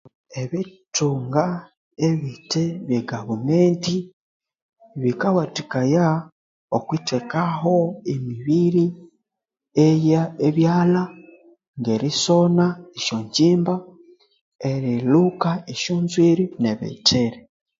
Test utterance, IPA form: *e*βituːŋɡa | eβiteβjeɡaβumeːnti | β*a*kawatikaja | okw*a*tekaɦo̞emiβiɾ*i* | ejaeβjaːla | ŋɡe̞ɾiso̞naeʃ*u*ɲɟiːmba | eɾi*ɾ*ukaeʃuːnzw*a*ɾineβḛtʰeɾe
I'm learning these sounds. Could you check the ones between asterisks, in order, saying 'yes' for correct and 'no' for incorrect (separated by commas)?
yes, no, no, yes, no, no, no